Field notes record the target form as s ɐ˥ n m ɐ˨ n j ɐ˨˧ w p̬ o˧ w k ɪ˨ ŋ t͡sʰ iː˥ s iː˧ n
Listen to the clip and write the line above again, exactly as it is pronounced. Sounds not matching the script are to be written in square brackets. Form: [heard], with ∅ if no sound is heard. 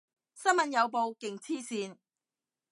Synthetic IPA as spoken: s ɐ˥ n m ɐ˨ n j ɐ˨˧ w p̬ o˧ w k ɪ˨ ŋ t͡sʰ iː˥ s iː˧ n